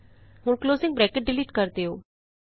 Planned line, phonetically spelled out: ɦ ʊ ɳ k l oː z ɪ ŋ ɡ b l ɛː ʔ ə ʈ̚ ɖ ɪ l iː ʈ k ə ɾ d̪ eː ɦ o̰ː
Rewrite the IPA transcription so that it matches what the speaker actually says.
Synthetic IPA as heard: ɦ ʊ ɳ k l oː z ɪ ŋ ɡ b ɾ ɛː k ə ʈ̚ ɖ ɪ l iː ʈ k ə ɾ d̪ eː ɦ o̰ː

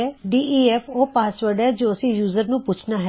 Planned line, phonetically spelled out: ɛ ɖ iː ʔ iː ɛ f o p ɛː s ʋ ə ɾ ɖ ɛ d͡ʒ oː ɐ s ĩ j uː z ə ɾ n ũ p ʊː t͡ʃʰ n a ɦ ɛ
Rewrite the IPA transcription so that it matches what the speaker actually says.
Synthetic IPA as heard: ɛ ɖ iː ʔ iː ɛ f o p aː s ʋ ə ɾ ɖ ɛ d͡ʒ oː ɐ s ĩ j uː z ə ɾ n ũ p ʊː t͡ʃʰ n a ɦ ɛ

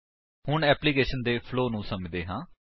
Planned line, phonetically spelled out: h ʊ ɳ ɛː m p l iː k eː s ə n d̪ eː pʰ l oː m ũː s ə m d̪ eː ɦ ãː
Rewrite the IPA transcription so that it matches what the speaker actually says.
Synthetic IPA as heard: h ʊ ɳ ɛː p l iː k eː ʃ ə n d̪ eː pʰ l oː n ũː s ə m d̪ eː ɦ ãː

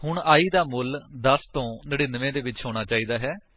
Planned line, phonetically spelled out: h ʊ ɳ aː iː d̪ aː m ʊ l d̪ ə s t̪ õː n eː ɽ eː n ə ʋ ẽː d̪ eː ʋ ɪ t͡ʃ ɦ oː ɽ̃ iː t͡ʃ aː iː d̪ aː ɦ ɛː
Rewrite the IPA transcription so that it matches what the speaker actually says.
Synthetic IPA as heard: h ʊ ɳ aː iː d̪ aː m ʊ l d̪ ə s t̪ õː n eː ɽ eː n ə ʋ ẽː d̪ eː ʋ ɪ t͡ʃ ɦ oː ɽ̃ aː t͡ʃ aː iː d̪ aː ɦ ɛː

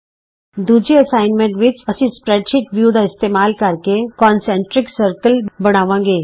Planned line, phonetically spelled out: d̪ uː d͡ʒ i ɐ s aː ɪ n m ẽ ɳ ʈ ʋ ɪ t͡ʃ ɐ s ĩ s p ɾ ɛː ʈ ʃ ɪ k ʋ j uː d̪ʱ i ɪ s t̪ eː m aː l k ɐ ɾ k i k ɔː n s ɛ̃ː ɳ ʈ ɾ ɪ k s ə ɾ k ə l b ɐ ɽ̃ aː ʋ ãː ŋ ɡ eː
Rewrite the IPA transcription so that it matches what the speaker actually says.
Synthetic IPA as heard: d̪ uː d͡ʒ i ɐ s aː ɪ n m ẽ ɳ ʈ ʋ ɪ t͡ʃ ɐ s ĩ s p ɾ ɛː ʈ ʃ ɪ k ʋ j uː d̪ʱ a ɪ s t̪ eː m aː l k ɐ ɾ k e k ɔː n s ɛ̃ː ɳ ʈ ɾ ɪ k s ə ɾ k ə l b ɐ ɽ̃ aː ʋ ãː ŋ ɡ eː

